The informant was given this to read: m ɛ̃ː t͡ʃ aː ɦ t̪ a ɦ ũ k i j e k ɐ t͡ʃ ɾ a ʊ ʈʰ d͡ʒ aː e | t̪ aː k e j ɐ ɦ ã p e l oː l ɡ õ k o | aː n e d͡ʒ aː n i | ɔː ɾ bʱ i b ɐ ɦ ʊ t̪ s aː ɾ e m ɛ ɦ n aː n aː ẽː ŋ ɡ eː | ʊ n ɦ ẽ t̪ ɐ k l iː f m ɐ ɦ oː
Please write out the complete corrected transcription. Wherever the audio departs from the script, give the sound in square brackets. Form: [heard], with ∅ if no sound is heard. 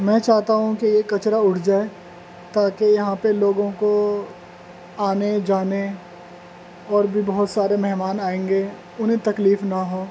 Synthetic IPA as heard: m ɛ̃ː t͡ʃ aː ɦ t̪ a ɦ ũ k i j e k ɐ t͡ʃ ɾ a ʊ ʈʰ d͡ʒ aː e | t̪ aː k e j ɐ ɦ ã p e l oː [∅] ɡ õ k o | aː n e d͡ʒ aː n [e] | ɔː ɾ bʱ i b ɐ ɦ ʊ t̪ s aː ɾ e m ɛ ɦ [m] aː n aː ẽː ŋ ɡ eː | ʊ n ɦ ẽ t̪ ɐ k l iː f [n] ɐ ɦ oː

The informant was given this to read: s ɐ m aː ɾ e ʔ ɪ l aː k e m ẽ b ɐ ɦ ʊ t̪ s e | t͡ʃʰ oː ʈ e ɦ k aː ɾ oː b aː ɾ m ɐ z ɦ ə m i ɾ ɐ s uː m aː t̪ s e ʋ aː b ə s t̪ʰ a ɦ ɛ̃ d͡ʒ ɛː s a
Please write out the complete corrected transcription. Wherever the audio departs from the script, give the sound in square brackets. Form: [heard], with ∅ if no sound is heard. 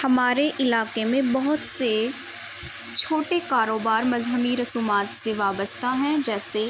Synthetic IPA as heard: [h] ɐ m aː ɾ e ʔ ɪ l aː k e m ẽ b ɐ ɦ ʊ t̪ s e | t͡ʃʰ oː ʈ e [∅] k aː ɾ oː b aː ɾ m ɐ z ɦ ə m i ɾ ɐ s uː m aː t̪ s e ʋ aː b ə s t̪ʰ a ɦ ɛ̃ d͡ʒ ɛː s [e]

